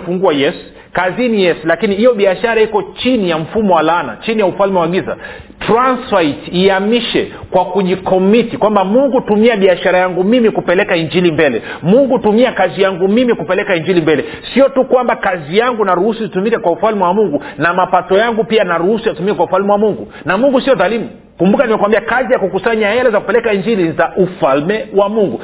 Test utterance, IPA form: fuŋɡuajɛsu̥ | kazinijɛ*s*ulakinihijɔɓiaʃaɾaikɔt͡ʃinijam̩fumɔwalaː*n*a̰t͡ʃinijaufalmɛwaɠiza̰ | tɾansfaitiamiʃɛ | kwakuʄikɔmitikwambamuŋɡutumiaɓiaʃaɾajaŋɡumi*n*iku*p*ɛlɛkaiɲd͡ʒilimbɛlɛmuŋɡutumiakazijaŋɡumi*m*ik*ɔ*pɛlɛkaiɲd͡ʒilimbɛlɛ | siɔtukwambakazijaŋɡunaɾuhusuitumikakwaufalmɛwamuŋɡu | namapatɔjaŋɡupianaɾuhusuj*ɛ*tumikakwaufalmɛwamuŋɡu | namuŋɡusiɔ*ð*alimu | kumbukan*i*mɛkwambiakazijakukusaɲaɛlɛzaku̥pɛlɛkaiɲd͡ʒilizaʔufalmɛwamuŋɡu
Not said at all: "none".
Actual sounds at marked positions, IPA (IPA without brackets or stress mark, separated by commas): s, n, m, p, m, u, a, ð, i